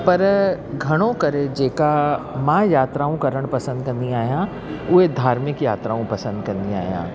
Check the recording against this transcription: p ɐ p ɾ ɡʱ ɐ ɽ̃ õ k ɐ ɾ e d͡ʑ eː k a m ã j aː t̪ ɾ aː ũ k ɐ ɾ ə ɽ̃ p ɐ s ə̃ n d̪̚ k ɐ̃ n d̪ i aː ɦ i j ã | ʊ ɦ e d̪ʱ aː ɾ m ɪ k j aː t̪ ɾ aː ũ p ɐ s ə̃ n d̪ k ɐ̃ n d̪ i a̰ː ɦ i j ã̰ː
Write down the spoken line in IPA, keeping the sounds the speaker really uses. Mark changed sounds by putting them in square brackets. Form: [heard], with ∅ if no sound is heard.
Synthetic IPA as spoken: p ɐ [∅] ɾ ɡʱ ɐ ɽ̃ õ k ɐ ɾ e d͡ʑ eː k a m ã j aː t̪ ɾ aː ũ k ɐ ɾ ə ɽ̃ p ɐ s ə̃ n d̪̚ k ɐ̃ n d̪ i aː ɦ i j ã | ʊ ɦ e d̪ʱ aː ɾ m ɪ k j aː t̪ ɾ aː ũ p ɐ s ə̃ n d̪ k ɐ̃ n d̪ i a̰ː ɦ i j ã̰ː